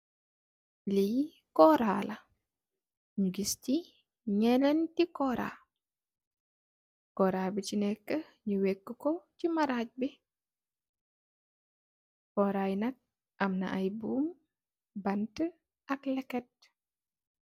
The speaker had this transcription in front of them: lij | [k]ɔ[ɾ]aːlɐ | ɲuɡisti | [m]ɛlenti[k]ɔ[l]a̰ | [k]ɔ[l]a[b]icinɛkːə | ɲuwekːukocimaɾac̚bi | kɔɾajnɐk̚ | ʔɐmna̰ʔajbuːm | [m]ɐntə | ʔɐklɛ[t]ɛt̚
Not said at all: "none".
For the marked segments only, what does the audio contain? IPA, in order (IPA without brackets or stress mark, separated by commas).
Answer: k, ɾ, ɲ, k, ɾ, k, ɾ, b, b, k